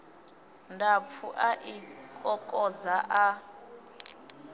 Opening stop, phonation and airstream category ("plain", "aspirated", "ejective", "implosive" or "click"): plain